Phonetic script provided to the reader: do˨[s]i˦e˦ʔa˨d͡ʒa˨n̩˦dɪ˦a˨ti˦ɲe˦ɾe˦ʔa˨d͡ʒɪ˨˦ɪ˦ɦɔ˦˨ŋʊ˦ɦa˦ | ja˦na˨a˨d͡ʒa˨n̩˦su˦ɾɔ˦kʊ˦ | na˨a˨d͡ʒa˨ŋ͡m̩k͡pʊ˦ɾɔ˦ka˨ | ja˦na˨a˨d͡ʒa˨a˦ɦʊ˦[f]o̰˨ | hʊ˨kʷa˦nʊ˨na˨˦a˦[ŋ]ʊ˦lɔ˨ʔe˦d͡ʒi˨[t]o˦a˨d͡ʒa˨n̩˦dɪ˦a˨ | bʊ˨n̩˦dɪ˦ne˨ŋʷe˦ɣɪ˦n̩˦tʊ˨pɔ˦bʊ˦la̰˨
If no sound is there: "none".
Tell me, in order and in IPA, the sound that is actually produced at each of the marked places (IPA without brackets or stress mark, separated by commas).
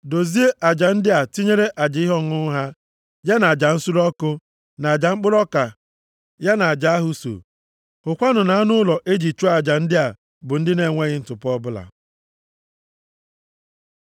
z, s, n, t͡ʃ